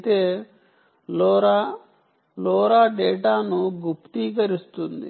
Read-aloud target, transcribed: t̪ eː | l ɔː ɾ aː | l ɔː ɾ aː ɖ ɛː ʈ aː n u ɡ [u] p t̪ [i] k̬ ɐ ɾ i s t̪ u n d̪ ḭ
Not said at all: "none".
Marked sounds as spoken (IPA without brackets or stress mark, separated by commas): u, iː